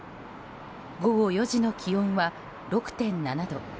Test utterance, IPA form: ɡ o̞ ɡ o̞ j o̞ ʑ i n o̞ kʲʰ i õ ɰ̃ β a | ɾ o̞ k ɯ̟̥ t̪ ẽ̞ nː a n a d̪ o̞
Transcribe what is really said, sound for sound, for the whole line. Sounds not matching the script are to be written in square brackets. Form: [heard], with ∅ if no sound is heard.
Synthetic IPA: ɡ o̞ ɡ o̞ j o̞ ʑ i n o̞ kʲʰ i õ ɰ̃ β a | ɾ o̞ k ɯ̟̥ t̪ ẽ̞ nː a n a d̪ o̞

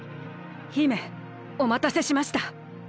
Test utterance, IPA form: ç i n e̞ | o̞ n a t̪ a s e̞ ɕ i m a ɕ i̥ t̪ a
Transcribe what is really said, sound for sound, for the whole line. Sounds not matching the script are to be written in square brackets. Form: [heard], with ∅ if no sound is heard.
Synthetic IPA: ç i [m] e̞ | o̞ [m] a t̪ a s e̞ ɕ i m a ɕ i̥ t̪ a

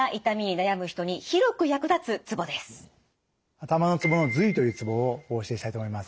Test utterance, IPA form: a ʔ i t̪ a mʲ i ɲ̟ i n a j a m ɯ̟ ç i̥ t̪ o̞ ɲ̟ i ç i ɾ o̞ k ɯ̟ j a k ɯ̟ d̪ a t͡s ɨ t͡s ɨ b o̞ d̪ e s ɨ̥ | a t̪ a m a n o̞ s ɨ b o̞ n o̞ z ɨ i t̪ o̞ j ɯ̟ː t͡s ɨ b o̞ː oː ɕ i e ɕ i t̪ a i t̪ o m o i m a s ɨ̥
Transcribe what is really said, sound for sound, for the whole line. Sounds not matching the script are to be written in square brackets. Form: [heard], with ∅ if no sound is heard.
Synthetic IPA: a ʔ i t̪ a mʲ i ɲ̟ i n a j a m ɯ̟ ç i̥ t̪ o̞ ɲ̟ i ç i ɾ o̞ k ɯ̟ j a k ɯ̟ d̪ a t͡s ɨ t͡s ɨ b o̞ d̪ e s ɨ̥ | a t̪ a m a n o̞ [t͡s] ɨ b o̞ n o̞ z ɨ i t̪ o̞ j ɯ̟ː t͡s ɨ b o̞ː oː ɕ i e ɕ i t̪ a i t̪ o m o i m a s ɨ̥

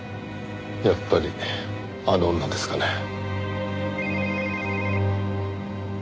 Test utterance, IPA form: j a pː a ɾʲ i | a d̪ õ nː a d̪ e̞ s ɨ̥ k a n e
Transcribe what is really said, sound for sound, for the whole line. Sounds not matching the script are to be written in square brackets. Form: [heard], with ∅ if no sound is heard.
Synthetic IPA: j a pː a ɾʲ i | a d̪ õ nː a d̪ e̞ s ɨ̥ k a n e

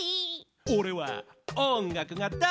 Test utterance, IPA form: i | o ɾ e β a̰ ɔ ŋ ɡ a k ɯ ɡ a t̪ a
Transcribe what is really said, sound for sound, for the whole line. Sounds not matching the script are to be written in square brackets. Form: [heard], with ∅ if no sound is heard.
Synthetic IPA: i | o ɾ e [w] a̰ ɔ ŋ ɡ a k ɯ [ŋ] a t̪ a

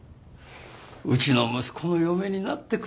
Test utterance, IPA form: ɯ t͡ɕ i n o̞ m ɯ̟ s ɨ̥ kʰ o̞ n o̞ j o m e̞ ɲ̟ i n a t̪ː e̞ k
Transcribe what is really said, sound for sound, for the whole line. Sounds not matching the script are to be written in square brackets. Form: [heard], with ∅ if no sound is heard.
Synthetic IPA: ɯ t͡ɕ i n o̞ m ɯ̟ s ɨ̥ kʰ o̞ n o̞ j o m e̞ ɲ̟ i n a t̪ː e̞ k

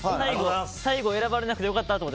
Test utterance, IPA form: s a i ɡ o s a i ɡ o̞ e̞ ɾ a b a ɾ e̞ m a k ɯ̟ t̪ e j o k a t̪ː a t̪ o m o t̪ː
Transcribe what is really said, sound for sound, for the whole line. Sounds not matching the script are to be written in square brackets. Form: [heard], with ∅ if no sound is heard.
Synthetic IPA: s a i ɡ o s a i ɡ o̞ e̞ ɾ a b a ɾ e̞ [n] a k ɯ̟ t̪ e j o k a t̪ː a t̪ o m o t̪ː

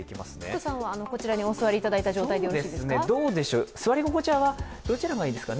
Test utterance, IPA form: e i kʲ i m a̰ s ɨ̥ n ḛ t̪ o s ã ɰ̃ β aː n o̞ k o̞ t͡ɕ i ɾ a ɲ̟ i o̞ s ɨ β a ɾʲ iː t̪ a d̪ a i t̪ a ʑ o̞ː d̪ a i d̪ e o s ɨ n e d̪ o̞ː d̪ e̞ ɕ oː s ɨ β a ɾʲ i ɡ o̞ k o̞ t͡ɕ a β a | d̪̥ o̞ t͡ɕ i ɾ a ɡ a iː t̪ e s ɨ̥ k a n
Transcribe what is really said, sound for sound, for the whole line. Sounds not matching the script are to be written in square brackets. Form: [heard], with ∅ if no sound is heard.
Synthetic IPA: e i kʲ i m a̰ s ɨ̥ n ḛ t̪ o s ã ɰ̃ β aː n o̞ k o̞ t͡ɕ i ɾ a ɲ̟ i o̞ s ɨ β a ɾʲ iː t̪ a d̪ a i t̪ a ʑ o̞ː [t̪] a i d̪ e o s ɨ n e d̪ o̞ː d̪ e̞ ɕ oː s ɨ β a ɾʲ i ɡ o̞ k o̞ t͡ɕ a β a | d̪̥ o̞ t͡ɕ i ɾ a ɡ a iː [d̪] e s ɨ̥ k a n

